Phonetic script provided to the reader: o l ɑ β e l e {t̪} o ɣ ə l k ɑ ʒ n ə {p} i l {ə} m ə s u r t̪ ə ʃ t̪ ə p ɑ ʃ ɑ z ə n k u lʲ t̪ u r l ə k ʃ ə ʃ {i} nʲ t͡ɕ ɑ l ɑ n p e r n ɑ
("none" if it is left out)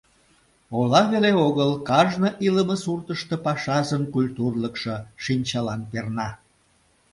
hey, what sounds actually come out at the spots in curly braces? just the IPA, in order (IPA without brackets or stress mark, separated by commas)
none, ʔ, ə, i